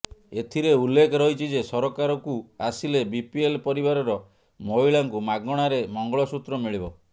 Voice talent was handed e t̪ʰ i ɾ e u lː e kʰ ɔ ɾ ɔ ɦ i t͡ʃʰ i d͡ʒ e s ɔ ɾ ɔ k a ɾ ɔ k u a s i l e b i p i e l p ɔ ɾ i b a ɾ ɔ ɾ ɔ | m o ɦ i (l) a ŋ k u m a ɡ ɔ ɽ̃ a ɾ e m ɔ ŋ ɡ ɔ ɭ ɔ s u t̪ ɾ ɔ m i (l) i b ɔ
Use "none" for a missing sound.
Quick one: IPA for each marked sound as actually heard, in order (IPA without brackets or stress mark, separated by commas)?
ɭ, ɭ